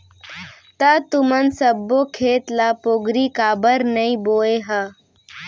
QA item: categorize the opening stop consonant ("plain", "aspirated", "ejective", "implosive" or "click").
plain